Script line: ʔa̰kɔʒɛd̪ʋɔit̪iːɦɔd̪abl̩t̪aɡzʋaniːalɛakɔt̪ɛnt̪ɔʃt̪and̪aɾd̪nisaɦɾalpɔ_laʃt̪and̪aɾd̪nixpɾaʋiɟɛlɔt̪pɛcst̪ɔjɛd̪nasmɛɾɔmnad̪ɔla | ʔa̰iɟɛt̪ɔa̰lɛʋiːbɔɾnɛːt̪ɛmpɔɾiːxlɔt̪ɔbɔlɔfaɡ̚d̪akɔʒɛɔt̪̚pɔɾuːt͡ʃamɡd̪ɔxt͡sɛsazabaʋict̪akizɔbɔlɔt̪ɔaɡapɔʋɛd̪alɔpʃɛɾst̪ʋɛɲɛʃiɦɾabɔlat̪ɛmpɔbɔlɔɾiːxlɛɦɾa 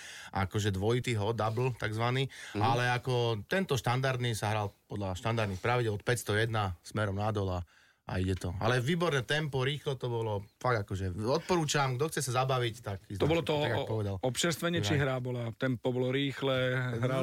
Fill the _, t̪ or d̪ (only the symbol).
d̪